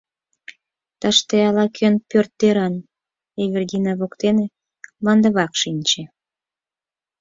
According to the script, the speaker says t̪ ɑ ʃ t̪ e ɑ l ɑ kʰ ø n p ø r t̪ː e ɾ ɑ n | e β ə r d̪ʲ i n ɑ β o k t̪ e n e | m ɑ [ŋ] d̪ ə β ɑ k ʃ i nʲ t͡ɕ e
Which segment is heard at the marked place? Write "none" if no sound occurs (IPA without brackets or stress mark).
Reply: n